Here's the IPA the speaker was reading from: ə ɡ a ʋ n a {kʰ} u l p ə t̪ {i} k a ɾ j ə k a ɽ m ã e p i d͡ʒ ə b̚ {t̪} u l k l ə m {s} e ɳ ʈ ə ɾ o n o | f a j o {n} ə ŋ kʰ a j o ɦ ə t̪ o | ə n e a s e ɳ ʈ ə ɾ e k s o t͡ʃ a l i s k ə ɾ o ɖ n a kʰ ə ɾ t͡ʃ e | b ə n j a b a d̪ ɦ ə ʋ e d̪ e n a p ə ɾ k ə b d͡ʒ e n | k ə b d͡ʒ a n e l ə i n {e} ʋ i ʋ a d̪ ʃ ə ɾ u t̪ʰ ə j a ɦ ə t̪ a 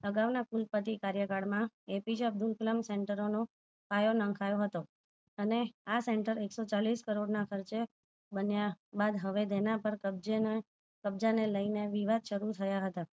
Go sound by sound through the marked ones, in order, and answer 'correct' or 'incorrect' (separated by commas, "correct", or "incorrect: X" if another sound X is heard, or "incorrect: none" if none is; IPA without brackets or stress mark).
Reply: incorrect: k, correct, incorrect: d̪, correct, correct, correct